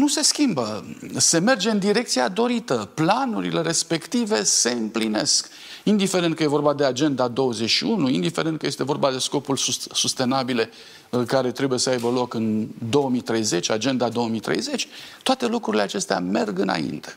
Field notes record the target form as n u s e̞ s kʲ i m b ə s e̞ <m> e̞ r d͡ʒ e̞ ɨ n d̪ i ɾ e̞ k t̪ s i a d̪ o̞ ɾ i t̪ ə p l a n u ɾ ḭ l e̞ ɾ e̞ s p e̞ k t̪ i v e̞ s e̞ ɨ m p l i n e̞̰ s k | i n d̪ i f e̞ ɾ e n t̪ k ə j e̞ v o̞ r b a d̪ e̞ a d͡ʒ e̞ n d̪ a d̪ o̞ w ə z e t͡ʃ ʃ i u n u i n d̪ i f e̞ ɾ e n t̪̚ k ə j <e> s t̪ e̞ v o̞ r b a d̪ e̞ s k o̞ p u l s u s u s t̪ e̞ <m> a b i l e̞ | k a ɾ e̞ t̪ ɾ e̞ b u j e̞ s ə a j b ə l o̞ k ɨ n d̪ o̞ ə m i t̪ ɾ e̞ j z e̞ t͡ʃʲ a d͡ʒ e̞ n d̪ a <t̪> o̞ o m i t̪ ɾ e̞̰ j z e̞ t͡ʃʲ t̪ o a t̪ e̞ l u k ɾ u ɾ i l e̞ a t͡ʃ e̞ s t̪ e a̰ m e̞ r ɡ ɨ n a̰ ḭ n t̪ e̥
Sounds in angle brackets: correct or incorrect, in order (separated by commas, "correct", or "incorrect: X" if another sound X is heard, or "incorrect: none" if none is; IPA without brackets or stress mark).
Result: correct, correct, incorrect: n, incorrect: d̪